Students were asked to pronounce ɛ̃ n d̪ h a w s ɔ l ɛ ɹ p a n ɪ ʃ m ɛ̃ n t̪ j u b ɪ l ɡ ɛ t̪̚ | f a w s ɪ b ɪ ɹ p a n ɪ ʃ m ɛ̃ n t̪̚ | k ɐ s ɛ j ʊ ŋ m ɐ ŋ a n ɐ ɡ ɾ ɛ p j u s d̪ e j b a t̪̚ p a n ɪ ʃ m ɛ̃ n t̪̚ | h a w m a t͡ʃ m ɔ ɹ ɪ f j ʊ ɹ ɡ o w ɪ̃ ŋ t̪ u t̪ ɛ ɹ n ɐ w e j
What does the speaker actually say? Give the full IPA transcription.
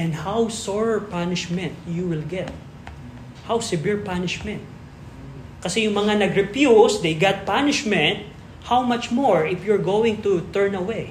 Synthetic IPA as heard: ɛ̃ n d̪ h a w s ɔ ɹ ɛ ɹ p a n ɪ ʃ m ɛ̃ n t̪ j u w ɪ l ɡ ɛ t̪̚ | h a w s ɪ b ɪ ɹ p a n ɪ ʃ m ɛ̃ n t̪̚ | k ɐ s ɛ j ʊ ŋ m ɐ ŋ a n ɐ ɡ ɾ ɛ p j u s d̪ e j ɡ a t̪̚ p a n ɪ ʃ m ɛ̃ n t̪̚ | h a w m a t͡ʃ m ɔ ɹ ɪ f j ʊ ɹ ɡ o w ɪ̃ ŋ t̪ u t̪ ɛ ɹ n ɐ w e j